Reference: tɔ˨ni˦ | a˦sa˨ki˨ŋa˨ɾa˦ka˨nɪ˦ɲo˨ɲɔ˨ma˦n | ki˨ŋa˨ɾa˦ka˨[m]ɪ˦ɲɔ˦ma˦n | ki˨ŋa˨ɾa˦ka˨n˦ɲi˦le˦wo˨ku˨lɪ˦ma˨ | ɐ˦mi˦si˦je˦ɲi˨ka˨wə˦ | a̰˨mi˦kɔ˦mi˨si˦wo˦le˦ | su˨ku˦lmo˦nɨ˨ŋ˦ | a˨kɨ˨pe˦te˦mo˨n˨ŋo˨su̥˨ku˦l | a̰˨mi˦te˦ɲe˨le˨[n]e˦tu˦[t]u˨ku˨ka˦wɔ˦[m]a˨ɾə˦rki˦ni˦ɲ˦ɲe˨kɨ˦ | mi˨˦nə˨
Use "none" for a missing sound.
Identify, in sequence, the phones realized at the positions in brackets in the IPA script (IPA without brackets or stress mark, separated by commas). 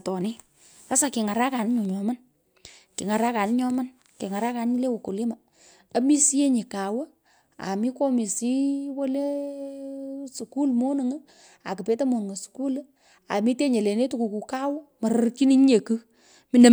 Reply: n, n, k, m